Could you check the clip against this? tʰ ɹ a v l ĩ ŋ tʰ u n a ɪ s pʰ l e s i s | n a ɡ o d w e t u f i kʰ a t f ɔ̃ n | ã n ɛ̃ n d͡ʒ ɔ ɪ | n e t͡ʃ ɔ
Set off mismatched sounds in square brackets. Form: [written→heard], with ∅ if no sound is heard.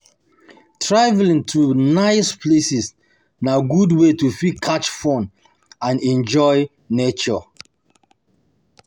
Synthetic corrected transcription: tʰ ɹ a v l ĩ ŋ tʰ u n a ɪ s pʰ l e s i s | n a ɡ [o→u] d w e t u f i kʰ a [t→t͡ʃ] f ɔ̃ n | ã n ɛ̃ n d͡ʒ ɔ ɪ | n e t͡ʃ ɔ